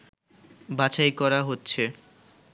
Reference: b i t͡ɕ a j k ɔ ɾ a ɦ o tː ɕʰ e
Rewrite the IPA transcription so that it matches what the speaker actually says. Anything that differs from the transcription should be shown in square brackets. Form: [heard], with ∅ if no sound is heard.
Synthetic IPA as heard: b [a] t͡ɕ a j k ɔ ɾ a ɦ o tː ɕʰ e